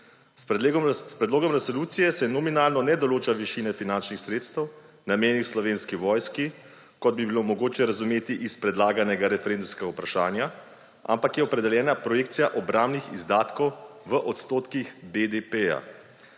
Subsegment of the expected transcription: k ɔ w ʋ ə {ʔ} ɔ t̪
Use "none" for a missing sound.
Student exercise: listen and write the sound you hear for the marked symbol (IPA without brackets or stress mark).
ʔ